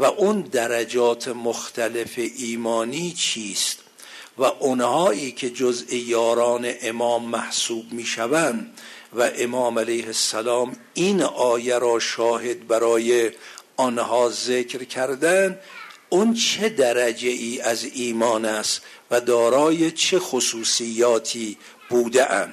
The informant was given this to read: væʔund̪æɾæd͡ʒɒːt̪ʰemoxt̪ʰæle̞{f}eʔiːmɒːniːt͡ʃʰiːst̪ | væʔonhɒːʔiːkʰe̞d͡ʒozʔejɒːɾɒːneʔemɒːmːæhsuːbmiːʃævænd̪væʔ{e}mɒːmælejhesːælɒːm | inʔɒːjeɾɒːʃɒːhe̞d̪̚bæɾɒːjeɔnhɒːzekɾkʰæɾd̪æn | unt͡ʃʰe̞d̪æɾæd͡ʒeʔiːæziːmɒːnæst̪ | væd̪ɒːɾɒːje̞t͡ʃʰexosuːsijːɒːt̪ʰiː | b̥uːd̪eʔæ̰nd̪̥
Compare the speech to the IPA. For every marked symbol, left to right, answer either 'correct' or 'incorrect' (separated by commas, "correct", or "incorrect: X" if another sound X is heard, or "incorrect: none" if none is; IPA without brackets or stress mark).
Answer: correct, correct